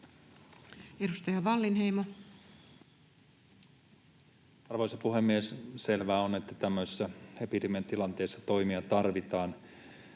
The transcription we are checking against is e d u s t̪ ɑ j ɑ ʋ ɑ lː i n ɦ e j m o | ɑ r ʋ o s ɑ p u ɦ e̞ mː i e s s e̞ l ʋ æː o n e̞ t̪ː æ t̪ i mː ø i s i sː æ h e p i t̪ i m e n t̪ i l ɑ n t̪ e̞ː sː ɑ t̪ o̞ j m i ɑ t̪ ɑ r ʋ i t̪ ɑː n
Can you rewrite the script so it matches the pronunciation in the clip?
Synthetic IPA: e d u s t̪ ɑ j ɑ ʋ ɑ lː i n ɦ e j m o | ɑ r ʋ o s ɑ p u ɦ e̞ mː i e s s e̞ l ʋ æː o n e̞ t̪ː æ t̪ æ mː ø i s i sː æ h e p i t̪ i m e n t̪ i l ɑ n t̪ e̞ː sː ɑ t̪ o̞ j m i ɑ t̪ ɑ r ʋ i t̪ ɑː n